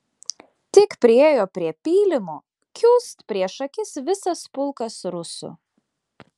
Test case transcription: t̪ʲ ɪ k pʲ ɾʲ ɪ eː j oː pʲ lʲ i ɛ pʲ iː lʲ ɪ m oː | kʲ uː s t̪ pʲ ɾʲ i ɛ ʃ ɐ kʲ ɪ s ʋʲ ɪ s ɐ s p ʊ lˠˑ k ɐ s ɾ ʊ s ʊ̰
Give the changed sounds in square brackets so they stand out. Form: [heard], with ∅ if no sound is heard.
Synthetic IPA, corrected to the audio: t̪ʲ ɪ k pʲ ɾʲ ɪ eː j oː pʲ [ɾʲ] i ɛ pʲ iː lʲ ɪ m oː | kʲ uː s t̪ pʲ ɾʲ i ɛ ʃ ɐ kʲ ɪ s ʋʲ ɪ s ɐ s p ʊ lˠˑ k ɐ s ɾ ʊ s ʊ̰